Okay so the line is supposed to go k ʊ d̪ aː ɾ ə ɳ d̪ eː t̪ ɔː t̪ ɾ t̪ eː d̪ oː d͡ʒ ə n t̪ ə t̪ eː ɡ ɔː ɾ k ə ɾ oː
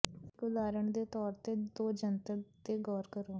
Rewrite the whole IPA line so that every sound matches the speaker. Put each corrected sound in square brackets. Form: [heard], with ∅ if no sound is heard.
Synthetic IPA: k ʊ d̪ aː ɾ ə ɳ d̪ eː t̪ ɔː [∅] ɾ t̪ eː d̪ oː d͡ʒ ə n t̪ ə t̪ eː ɡ ɔː ɾ k ə ɾ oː